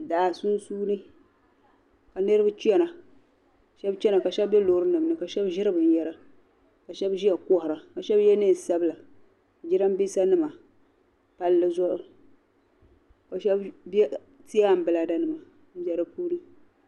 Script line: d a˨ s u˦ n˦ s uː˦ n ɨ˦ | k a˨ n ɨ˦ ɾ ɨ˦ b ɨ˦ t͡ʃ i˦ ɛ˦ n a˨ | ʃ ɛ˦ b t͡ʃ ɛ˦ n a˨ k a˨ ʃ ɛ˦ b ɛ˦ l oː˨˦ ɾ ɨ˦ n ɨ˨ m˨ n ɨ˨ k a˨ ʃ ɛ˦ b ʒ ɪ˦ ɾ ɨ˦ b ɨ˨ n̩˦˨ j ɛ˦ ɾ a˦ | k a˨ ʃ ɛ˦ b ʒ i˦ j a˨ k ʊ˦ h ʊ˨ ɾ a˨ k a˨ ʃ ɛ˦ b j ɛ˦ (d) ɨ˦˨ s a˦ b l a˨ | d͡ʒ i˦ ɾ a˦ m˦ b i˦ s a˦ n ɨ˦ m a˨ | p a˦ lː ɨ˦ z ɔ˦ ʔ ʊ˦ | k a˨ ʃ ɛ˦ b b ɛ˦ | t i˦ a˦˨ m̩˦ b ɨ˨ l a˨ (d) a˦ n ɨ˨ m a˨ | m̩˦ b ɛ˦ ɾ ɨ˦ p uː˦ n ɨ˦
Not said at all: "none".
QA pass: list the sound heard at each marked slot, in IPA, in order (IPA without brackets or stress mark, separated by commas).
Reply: n, d